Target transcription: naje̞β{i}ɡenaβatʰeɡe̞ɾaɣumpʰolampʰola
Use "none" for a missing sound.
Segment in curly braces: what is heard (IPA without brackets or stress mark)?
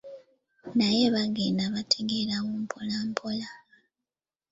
a